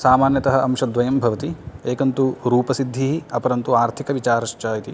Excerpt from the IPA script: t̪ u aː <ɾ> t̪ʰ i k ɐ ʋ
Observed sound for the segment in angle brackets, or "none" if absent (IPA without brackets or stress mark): ɾ